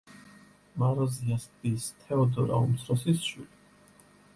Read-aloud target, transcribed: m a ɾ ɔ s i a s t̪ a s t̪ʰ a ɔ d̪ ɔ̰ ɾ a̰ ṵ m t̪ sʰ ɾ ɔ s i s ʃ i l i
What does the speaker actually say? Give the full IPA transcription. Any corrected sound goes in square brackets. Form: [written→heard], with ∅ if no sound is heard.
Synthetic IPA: m a ɾ ɔ [s→z] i a s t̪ [a→i] s t̪ʰ [a→ɛ] ɔ d̪ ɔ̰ ɾ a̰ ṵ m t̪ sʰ ɾ ɔ s i s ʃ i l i